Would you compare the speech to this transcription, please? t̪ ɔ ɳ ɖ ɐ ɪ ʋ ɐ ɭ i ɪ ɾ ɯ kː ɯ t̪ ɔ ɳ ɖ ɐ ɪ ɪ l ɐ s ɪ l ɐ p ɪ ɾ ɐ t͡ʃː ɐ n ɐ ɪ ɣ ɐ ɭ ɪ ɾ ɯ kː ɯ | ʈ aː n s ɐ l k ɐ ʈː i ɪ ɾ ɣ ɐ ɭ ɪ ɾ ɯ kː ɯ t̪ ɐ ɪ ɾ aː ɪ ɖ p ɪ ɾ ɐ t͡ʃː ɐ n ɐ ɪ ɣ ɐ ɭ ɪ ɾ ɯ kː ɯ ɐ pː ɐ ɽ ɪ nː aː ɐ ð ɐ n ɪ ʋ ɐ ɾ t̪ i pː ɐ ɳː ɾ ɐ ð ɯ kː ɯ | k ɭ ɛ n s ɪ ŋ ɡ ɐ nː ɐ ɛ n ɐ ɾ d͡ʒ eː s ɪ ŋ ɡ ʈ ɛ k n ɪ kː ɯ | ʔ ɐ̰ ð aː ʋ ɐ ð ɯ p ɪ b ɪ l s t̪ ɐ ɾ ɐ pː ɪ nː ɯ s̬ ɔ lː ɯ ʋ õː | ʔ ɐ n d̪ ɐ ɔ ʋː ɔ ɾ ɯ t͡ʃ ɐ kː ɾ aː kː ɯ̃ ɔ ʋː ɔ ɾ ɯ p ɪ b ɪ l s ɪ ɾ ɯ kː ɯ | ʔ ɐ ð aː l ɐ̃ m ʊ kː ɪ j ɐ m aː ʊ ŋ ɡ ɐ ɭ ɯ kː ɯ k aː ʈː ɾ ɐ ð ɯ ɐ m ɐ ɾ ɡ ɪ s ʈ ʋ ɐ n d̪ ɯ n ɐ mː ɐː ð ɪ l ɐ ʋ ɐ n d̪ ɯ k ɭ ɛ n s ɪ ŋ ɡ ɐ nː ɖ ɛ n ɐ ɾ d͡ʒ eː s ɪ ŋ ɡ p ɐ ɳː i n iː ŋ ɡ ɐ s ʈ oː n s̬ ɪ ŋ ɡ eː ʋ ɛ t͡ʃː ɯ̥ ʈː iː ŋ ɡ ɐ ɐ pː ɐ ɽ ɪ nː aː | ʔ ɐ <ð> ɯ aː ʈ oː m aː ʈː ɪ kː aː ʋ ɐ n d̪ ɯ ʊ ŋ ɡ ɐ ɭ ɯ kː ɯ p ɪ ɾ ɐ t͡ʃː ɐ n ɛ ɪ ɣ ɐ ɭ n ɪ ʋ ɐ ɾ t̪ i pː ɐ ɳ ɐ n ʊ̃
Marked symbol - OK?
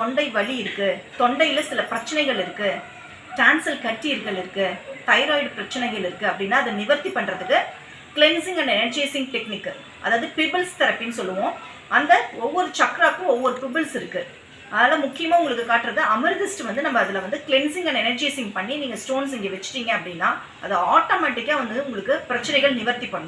yes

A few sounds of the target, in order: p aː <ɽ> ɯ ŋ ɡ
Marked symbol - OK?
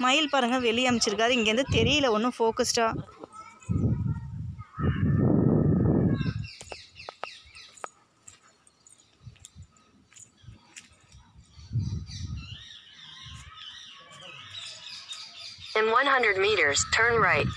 no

